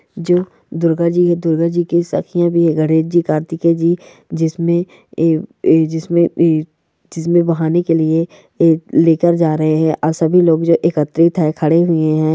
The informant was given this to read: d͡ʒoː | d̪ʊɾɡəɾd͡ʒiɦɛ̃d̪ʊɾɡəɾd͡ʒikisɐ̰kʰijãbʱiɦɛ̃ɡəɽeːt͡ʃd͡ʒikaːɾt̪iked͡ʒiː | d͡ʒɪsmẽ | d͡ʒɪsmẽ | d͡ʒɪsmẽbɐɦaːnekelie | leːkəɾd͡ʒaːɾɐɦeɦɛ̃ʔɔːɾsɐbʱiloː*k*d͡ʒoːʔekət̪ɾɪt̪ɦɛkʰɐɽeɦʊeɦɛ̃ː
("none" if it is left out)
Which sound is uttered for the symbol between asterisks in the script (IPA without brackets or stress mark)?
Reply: ɡ